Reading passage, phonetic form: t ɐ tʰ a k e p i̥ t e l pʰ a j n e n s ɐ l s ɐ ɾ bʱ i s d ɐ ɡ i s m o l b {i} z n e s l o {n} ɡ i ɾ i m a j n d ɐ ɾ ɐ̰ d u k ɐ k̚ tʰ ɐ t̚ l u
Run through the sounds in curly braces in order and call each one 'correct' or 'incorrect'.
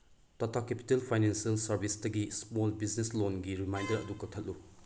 correct, correct

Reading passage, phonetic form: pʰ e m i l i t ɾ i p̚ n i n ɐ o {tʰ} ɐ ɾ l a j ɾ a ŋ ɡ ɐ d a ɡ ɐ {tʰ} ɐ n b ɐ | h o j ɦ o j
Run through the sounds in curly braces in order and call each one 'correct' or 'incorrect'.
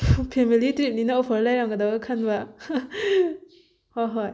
incorrect, incorrect

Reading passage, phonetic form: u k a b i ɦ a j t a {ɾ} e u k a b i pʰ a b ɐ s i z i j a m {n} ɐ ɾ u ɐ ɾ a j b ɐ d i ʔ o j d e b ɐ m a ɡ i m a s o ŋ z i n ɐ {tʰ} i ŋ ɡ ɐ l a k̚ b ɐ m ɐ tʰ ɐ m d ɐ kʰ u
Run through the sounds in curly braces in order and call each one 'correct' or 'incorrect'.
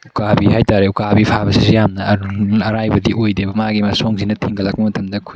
correct, correct, correct

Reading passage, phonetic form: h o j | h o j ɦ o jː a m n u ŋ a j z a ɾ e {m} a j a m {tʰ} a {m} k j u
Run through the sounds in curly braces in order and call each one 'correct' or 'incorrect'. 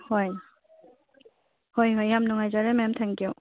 correct, correct, incorrect

